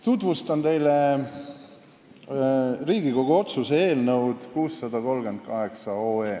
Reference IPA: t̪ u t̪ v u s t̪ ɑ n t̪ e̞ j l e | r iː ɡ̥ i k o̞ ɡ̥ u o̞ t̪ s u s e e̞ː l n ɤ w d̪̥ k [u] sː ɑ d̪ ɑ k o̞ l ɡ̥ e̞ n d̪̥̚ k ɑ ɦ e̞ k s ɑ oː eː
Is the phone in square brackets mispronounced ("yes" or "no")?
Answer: yes